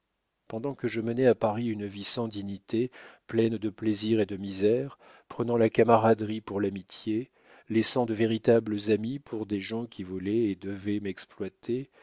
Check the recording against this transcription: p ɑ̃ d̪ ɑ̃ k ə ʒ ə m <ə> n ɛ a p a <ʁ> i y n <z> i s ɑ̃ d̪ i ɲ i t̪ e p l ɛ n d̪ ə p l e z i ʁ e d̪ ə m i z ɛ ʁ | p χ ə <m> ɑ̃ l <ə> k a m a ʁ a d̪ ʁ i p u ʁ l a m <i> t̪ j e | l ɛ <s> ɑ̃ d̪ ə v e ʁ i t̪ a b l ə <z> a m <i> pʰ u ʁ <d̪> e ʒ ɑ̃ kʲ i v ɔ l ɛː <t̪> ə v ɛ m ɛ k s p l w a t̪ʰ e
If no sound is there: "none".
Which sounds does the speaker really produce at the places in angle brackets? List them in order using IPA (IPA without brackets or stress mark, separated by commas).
ə, ʁ, v, n, a, i, s, z, i, d̪, d̪